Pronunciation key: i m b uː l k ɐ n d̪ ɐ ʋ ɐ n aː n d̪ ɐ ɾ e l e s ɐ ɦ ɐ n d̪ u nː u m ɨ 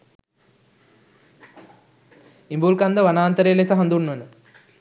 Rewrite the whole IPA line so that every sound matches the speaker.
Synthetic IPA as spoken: i m b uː l k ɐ n d̪ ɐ ʋ ɐ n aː n t̪ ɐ ɾ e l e s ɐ ɦ ɐ n d̪ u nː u n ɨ